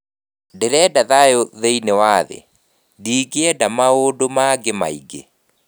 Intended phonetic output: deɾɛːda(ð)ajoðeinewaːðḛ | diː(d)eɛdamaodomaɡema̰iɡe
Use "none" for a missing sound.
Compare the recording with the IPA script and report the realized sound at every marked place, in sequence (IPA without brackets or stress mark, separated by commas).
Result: ð, ɡ